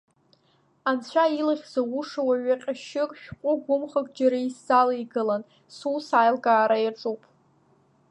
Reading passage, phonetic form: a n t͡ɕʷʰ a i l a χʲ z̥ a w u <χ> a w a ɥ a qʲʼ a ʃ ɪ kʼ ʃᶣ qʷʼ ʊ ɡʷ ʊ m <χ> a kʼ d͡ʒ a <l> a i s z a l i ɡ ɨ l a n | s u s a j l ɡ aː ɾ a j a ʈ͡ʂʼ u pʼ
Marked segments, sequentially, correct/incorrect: incorrect, correct, incorrect

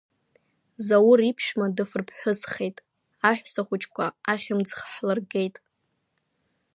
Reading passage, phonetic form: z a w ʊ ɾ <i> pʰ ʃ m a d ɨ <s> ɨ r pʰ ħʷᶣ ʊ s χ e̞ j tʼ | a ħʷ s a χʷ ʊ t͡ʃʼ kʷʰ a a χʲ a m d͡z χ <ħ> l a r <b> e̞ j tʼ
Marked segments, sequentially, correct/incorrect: correct, incorrect, correct, incorrect

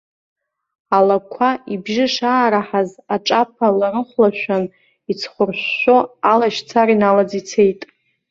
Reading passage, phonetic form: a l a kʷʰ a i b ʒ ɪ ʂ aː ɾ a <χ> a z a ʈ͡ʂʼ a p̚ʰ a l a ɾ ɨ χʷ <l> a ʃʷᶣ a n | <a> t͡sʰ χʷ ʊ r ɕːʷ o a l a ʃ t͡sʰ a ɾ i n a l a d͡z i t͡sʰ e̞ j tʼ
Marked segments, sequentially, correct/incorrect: incorrect, correct, incorrect

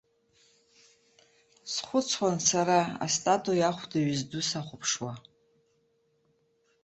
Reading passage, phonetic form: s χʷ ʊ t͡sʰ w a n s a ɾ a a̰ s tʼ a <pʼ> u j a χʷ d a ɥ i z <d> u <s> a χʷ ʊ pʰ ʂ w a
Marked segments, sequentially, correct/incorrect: incorrect, correct, correct

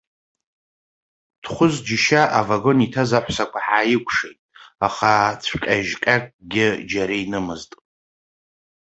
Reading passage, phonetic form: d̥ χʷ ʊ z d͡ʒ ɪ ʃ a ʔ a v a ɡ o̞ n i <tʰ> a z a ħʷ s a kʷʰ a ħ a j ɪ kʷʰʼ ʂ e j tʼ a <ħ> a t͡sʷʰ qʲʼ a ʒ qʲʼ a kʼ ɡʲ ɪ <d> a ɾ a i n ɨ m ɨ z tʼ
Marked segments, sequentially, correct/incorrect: correct, incorrect, incorrect

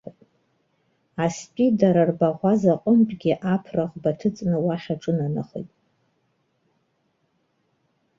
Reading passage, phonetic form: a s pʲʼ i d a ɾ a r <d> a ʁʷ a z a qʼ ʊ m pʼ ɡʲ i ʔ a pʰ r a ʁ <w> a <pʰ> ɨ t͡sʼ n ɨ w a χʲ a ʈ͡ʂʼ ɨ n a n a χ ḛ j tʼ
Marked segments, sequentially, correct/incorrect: incorrect, incorrect, incorrect

